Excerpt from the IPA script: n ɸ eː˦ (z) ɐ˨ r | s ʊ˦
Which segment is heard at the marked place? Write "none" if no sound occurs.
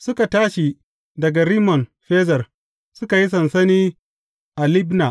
z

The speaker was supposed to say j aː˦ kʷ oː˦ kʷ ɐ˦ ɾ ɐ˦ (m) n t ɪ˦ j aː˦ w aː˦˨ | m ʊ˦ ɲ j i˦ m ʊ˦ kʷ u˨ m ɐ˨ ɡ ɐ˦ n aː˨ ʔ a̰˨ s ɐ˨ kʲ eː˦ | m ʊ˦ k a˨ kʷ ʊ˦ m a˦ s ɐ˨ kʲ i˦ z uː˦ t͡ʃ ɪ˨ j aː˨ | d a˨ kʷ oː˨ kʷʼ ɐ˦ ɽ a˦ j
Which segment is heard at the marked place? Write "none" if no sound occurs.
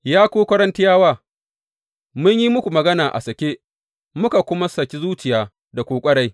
none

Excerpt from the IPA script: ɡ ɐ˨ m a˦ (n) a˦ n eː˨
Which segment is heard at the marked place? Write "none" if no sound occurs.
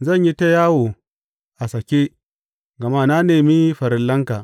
n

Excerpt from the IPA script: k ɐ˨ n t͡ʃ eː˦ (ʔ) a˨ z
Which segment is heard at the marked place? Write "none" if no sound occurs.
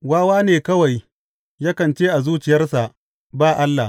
ʔ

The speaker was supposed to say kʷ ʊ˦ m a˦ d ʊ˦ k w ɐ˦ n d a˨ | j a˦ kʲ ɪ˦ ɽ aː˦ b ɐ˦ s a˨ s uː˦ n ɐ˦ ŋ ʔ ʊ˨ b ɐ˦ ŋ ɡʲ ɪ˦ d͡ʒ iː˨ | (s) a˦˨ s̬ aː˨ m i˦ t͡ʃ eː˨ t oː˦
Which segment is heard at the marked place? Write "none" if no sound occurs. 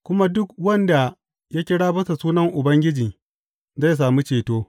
z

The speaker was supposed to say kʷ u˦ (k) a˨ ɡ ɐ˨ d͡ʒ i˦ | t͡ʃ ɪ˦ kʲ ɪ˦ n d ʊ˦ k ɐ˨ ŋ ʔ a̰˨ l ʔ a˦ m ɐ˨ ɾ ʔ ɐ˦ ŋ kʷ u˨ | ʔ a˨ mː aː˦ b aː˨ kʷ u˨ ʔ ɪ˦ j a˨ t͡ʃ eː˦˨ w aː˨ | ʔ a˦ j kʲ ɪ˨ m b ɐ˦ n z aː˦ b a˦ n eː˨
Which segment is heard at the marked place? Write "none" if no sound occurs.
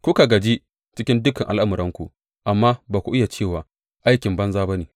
k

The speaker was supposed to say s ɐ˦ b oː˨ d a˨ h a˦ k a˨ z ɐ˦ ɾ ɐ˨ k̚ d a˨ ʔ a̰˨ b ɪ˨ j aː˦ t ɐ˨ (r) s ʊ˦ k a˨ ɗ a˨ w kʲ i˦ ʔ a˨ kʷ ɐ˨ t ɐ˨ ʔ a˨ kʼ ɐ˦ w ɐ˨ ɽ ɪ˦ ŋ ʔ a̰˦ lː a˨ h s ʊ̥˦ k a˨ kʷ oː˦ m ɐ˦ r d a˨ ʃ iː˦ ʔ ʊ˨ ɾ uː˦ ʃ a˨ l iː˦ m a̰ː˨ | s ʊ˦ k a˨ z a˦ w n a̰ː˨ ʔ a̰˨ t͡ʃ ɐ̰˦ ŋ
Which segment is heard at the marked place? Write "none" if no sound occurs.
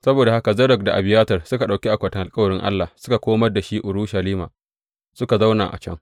r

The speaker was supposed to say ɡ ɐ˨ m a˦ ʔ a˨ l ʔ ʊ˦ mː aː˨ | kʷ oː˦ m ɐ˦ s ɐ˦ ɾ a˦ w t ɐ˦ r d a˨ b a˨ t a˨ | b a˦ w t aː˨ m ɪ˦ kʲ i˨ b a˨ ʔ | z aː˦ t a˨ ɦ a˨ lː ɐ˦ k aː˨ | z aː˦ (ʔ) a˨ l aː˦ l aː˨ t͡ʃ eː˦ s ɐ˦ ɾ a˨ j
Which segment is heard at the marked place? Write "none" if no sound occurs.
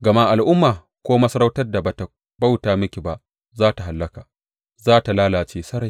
t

